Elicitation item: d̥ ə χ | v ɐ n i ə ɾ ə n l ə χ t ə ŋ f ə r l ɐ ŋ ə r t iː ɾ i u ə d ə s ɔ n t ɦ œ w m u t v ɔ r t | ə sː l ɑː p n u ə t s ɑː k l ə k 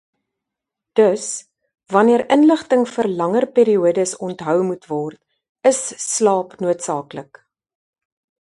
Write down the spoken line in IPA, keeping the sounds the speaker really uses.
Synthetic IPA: d̥ ə s | v ɐ n i ə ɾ ə n l ə χ t ə ŋ f ə r l ɐ ŋ ə r p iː ɾ i u ə d ə s ɔ n t ɦ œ w m u t v ɔ r t | ə sː l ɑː p n u ə t s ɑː k l ə k